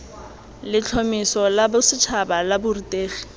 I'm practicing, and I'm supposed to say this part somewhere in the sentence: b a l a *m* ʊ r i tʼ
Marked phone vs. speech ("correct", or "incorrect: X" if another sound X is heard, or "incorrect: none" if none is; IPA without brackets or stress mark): incorrect: b